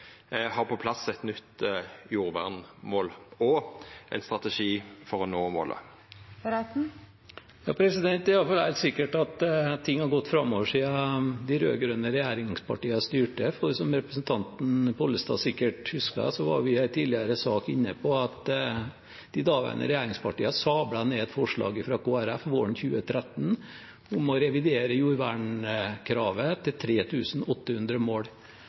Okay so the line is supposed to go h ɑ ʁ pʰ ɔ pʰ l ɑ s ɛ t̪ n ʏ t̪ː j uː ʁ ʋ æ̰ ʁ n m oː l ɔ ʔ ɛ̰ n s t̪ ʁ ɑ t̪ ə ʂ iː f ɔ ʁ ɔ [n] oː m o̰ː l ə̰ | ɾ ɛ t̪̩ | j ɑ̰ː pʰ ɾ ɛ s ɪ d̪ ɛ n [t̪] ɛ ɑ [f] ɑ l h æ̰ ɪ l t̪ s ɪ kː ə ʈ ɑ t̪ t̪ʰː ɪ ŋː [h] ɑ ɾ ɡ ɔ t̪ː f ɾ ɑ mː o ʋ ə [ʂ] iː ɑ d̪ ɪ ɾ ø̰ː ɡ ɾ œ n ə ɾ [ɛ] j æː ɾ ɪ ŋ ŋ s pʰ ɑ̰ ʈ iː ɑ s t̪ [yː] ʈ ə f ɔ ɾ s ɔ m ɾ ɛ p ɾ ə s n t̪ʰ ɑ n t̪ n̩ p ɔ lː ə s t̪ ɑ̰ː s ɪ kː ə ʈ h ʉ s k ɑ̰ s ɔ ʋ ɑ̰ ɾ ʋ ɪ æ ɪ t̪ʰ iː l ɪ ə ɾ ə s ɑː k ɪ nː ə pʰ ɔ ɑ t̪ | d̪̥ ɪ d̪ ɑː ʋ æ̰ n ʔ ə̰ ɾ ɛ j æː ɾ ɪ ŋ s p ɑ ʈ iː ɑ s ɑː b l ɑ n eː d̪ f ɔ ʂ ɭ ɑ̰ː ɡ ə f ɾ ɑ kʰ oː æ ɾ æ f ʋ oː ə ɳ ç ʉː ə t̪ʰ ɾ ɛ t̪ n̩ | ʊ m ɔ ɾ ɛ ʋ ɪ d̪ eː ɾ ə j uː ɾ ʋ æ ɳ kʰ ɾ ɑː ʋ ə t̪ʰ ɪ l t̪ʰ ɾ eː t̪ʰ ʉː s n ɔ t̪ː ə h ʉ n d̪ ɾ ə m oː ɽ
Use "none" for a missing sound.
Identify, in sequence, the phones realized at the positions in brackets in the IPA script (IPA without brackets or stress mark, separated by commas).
n, t̪, f, h, ʂ, ɛ, yː